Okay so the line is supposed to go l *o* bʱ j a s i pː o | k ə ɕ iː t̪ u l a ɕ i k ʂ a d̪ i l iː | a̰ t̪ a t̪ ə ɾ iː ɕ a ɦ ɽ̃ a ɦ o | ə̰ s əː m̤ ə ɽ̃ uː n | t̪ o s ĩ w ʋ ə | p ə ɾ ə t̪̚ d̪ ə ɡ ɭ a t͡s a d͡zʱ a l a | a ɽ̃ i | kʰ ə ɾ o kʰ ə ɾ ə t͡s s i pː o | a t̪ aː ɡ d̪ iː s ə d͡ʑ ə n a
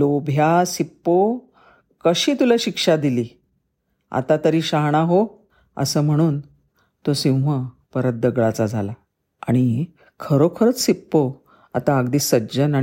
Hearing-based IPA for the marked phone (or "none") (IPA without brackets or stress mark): o